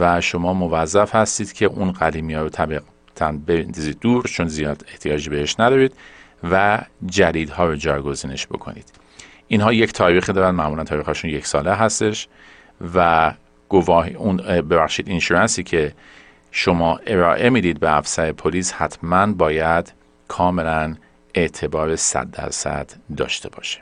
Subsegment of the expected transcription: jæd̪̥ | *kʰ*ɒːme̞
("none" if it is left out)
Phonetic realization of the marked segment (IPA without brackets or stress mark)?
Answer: kʰ